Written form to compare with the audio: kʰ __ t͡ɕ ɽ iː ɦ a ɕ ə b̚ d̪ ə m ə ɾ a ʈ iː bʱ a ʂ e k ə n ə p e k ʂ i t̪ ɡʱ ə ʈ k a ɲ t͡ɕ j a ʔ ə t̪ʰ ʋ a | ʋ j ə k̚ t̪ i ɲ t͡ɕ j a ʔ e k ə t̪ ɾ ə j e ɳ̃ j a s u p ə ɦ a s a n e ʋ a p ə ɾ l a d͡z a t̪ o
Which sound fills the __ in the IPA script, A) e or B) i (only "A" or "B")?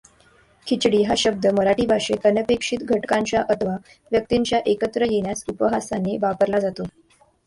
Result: B